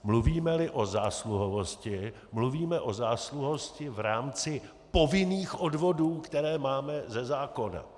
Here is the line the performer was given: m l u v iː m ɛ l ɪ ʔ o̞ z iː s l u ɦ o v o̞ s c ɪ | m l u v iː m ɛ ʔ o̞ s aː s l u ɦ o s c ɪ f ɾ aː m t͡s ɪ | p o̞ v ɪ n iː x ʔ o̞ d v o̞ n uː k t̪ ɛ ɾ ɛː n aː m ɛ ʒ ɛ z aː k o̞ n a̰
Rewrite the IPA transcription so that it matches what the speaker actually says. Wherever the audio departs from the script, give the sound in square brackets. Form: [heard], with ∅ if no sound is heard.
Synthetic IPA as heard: m l u v iː m ɛ l ɪ ʔ o̞ z [aː] s l u ɦ o v o̞ s c ɪ | m l u v iː m ɛ ʔ o̞ [z] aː s l u ɦ o s c ɪ [v] ɾ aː m t͡s ɪ | p o̞ v ɪ n iː x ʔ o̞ d v o̞ [d] uː k t̪ ɛ ɾ ɛː [m] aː m ɛ [z] ɛ z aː k o̞ n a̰